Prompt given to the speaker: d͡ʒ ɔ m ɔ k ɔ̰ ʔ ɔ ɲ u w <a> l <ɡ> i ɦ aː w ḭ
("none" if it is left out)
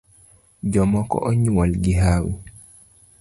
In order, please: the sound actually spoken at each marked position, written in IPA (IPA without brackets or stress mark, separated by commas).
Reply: a, ɡ